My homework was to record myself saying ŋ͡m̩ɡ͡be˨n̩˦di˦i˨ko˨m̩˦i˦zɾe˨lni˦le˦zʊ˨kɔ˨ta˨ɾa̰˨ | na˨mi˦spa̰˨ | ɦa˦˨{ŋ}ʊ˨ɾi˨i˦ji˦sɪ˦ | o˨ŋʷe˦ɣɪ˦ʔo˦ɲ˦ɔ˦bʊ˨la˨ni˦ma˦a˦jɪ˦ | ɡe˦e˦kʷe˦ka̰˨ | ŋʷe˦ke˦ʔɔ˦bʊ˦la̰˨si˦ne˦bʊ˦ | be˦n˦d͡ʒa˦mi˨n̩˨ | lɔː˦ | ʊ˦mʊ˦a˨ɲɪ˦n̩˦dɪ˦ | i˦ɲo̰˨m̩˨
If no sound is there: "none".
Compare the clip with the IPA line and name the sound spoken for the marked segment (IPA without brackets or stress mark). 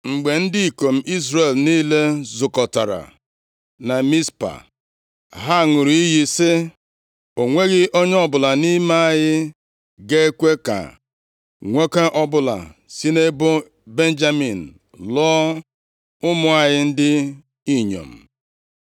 ŋ